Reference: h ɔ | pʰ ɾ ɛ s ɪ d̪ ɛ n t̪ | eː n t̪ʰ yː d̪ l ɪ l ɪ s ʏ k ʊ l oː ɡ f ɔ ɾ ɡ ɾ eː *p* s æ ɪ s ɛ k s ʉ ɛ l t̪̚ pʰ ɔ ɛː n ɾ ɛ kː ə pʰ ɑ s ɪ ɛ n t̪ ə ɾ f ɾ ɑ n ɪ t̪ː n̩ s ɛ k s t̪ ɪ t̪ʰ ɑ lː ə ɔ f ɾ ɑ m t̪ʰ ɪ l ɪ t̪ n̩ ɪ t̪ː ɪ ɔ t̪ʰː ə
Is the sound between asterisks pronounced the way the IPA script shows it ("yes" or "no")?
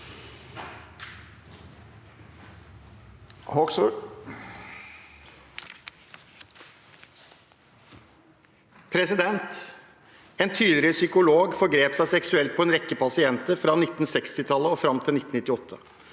yes